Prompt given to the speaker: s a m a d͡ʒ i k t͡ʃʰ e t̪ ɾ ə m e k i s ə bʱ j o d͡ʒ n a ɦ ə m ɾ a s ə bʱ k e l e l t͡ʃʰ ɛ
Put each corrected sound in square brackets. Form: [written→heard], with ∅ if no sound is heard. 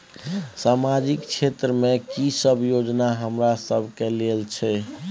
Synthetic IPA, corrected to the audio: s a m a d͡ʒ i k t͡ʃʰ e t̪ ɾ ə m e k i s ə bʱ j o d͡ʒ n a ɦ ə m ɾ a s ə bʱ k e l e l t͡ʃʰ ɛ